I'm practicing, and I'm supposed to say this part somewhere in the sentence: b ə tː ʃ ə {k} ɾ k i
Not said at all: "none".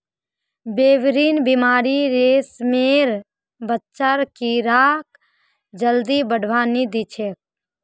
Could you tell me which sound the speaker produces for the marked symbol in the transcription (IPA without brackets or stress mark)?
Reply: none